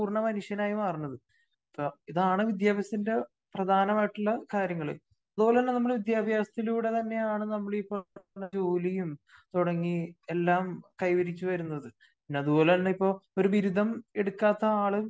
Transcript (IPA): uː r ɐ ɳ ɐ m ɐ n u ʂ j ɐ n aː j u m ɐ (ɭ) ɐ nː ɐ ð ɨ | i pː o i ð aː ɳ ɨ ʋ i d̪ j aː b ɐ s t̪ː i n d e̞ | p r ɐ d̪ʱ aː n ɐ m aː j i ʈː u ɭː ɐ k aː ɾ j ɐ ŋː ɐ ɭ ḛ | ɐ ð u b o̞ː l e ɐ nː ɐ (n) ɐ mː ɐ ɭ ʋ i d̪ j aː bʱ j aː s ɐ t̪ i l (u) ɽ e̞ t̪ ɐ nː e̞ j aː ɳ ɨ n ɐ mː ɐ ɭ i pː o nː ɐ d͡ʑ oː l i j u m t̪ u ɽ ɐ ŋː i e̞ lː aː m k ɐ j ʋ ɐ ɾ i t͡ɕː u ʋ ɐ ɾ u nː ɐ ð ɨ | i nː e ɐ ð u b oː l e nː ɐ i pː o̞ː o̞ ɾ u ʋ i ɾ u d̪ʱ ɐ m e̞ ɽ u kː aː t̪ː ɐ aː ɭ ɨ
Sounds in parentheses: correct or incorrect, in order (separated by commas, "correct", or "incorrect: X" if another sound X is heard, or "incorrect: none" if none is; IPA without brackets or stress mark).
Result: incorrect: r, correct, incorrect: uː